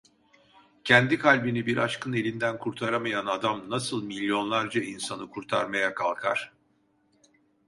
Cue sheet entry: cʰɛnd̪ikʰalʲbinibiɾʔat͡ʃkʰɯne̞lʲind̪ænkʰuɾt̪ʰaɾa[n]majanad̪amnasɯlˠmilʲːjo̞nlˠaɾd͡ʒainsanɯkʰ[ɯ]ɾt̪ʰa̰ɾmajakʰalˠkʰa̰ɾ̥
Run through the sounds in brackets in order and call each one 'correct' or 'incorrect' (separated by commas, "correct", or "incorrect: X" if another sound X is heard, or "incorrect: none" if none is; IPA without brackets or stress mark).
incorrect: none, incorrect: u